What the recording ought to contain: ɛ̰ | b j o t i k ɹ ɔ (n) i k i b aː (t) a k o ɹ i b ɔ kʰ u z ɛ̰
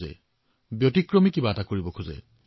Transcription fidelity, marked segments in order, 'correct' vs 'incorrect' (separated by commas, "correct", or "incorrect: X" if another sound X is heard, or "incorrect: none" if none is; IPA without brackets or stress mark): incorrect: m, correct